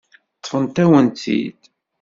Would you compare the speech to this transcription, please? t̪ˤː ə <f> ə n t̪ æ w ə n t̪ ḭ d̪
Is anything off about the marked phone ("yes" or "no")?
no